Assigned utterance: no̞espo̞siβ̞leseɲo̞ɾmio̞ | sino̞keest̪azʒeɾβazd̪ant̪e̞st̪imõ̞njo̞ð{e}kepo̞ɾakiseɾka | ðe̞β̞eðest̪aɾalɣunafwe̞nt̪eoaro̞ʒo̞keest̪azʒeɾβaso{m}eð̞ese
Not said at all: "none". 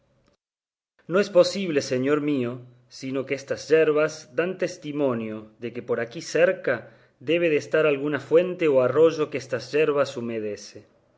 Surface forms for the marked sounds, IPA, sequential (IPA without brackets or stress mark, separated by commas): e, m